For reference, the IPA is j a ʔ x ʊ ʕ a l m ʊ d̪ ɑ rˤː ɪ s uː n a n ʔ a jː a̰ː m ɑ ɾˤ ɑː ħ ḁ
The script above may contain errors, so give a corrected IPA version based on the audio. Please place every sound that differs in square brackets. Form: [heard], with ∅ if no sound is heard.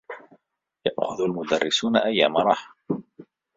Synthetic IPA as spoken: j a ʔ x ʊ [ð] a l m ʊ d̪ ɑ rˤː ɪ s uː n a [∅] ʔ a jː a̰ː m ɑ ɾˤ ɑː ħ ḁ